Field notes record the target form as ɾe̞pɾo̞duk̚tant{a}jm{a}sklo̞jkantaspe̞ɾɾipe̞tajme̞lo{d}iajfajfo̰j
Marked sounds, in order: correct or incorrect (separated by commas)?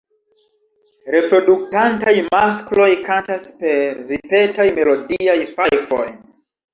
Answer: correct, correct, correct